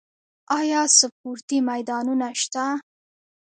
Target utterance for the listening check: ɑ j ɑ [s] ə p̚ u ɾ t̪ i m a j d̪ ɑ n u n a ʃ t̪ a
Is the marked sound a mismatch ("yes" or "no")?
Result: no